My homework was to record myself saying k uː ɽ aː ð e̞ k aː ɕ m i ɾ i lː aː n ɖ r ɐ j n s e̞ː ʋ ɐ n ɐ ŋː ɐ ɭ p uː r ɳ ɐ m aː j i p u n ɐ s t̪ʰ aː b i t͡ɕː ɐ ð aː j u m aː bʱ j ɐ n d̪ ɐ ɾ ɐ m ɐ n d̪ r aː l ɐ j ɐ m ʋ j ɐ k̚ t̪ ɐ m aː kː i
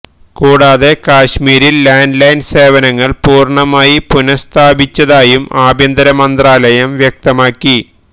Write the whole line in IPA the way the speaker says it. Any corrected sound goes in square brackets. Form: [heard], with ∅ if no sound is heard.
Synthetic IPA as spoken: k uː ɽ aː ð e̞ k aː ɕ m [iː] ɾ i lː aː n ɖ [l] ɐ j n s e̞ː ʋ ɐ n ɐ ŋː ɐ ɭ p uː r ɳ ɐ m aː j i p u n ɐ s t̪ʰ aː b i t͡ɕː ɐ ð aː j u m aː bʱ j ɐ n d̪ ɐ ɾ ɐ m ɐ n d̪ r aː l ɐ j ɐ m ʋ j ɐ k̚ t̪ ɐ m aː kː i